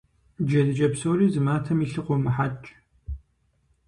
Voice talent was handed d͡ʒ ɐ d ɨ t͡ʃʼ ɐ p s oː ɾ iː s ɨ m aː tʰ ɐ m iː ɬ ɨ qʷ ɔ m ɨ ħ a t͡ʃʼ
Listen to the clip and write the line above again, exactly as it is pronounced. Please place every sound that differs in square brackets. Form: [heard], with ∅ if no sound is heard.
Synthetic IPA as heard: d͡ʒ ɐ d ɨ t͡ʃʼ ɐ p s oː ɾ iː [z] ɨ m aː tʰ ɐ m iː ɬ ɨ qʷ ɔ m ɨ ħ a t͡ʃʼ